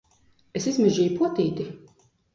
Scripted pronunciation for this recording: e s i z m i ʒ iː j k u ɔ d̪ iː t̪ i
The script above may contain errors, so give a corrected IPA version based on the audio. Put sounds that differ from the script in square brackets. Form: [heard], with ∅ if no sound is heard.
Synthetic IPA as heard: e s i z m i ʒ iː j [p] u ɔ [t̪] iː t̪ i